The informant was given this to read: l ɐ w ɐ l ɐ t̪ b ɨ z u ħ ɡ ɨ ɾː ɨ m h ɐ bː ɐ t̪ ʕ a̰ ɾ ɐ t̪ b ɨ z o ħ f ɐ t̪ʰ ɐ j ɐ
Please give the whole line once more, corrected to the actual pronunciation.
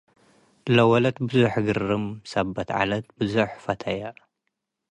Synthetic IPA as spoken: l ɐ w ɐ l ɐ t̪ b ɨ z u ħ ɡ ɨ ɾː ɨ m s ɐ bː ɐ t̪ ʕ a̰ l ɐ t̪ b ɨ z u ħ f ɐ t̪ʰ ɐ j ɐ

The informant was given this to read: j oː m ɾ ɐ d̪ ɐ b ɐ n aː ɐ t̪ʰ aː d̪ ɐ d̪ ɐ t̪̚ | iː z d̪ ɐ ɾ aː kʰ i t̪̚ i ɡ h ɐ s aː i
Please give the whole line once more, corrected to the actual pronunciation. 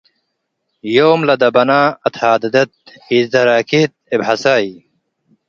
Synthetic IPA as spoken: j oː m l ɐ d̪ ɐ b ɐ n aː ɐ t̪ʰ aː d̪ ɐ d̪ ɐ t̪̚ | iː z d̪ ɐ ɾ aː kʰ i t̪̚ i b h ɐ s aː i

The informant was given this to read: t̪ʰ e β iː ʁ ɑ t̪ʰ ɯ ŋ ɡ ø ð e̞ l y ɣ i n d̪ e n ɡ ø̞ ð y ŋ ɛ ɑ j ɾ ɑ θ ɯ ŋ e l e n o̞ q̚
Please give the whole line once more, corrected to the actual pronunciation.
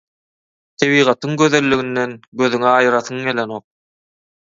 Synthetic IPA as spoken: t̪ʰ e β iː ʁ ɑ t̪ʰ ɯ ŋ ɡ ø ð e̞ lː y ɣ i n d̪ e n ɡ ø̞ ð y ŋ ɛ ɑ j ɾ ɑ θ ɯ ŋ e l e n o̞ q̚

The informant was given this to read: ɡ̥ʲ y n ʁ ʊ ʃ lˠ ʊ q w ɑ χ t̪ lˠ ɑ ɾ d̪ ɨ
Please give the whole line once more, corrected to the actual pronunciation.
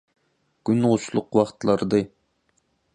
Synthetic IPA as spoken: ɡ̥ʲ y n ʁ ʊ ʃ lˠ ʊ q w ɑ χ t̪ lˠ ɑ ɾ d̪ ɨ

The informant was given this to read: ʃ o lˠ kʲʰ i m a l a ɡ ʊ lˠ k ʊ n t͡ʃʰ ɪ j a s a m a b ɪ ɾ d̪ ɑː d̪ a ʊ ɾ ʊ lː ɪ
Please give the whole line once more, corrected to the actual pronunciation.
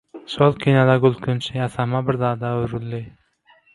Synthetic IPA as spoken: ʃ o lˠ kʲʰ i n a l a ɡ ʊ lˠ k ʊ n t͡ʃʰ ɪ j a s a m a b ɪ ɾ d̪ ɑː d̪ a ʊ ɾ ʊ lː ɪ

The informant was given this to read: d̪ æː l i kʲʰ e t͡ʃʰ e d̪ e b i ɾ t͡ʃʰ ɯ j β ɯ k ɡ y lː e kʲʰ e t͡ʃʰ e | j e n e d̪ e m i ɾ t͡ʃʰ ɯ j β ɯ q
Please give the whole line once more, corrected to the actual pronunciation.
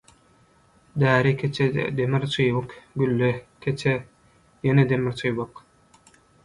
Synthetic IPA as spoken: d̪ æː ɾ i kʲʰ e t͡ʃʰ e d̪ e m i ɾ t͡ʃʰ ɯ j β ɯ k ɡ y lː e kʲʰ e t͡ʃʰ e | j e n e d̪ e m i ɾ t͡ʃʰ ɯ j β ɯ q

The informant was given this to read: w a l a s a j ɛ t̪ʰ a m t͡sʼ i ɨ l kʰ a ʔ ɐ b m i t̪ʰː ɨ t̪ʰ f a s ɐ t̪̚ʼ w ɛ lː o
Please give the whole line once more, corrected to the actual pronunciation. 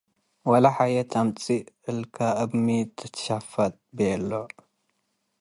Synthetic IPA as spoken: w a l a ħ a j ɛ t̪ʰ a m t͡sʼ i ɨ l kʰ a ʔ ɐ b m i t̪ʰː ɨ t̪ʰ ʃ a f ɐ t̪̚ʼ b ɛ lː o

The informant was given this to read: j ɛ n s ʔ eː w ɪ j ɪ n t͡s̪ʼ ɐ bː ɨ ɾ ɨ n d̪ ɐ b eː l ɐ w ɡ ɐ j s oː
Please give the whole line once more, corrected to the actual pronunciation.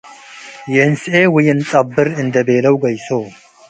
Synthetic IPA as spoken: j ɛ n s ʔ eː w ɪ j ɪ n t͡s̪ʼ ɐ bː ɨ ɾ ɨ n d̪ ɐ b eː l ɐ w ɡ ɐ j s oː

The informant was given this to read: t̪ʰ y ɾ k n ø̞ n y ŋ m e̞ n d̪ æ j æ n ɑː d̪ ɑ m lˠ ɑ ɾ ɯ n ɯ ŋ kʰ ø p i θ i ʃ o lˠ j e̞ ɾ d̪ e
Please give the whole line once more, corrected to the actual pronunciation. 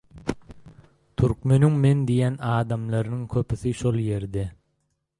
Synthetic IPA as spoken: t̪ʰ y ɾ k m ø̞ n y ŋ m e̞ n d̪ i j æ n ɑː d̪ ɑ m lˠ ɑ ɾ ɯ n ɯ ŋ kʰ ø p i θ i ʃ o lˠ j e̞ ɾ d̪ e

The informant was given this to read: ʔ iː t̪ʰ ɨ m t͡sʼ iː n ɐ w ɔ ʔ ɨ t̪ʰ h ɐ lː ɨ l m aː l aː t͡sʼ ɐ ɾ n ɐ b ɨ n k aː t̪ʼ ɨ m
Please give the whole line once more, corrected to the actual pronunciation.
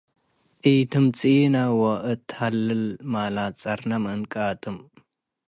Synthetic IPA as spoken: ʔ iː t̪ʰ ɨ m t͡sʼ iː n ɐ w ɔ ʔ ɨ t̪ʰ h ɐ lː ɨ l m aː l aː t͡sʼ ɐ ɾ n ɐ m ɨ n kʼ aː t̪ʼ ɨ m

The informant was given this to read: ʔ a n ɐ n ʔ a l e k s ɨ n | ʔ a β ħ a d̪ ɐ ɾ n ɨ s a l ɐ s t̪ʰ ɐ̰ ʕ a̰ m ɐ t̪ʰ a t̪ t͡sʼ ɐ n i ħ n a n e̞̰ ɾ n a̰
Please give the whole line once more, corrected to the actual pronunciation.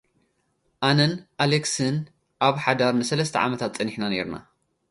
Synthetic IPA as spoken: ʔ a n ɐ n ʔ a l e k s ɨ n | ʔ a β ħ a d̪ a ɾ n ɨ s ɐ l ɐ s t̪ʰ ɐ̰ ʕ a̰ m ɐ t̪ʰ a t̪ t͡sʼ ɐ n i ħ n a n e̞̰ ɾ n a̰

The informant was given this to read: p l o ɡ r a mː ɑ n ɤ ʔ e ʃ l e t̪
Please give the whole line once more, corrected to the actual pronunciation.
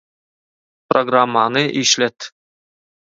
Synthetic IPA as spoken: p r o ɡ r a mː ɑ n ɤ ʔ i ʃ l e t̪

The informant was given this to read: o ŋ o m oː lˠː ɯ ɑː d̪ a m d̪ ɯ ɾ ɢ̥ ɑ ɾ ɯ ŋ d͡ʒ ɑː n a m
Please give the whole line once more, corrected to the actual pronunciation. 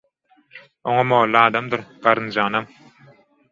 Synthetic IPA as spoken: o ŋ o m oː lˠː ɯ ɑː d̪ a m d̪ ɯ ɾ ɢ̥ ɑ ɾ ɯ n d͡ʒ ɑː n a m

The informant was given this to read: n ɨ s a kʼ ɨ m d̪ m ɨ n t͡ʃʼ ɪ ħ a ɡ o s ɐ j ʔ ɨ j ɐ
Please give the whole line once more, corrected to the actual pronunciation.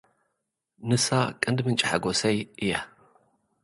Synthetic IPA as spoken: n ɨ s a kʼ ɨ n d̪ m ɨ n t͡ʃʼ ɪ ħ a ɡ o s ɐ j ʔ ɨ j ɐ

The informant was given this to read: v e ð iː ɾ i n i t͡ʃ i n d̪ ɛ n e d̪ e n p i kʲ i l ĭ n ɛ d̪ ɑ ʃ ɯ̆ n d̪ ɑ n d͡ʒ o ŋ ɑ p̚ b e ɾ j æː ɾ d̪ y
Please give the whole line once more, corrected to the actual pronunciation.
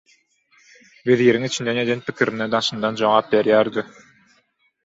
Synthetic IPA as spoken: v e ð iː ɾ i ŋ i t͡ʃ i n d̪ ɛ n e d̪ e n p i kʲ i ɾ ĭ n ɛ d̪ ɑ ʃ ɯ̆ n d̪ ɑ n d͡ʒ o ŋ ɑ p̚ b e ɾ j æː ɾ d̪ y

